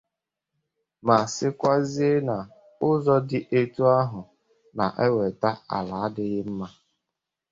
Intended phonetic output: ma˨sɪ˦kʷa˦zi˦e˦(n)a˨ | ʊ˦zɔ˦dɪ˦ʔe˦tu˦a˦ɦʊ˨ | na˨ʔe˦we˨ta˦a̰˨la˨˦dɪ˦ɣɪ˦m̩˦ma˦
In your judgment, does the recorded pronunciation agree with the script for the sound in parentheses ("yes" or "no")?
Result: yes